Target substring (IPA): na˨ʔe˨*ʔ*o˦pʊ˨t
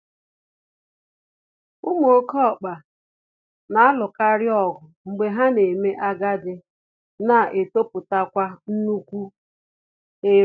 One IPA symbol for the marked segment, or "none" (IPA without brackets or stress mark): t